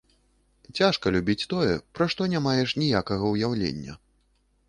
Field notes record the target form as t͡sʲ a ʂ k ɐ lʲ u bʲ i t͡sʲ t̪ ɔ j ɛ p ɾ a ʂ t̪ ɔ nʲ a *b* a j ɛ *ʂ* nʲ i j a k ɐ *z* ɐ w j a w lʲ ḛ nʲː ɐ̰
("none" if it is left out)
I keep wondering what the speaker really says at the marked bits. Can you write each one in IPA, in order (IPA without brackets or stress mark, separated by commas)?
m, ʂ, ɣ